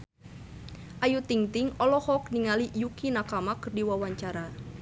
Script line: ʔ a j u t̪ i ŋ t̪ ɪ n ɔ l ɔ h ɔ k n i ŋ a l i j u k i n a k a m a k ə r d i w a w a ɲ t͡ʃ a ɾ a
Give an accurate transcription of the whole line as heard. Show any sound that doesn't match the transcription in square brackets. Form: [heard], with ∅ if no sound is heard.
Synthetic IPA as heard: ʔ a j u t̪ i ŋ t̪ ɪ [ŋ] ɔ l ɔ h ɔ k n i ŋ a l i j u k i n a k a m a k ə r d i w a w a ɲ t͡ʃ a ɾ a